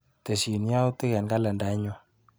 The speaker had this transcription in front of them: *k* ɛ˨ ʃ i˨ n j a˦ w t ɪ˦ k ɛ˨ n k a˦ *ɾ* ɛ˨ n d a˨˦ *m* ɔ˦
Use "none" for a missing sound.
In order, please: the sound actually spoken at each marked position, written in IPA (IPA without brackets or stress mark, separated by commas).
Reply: t, l, ɲ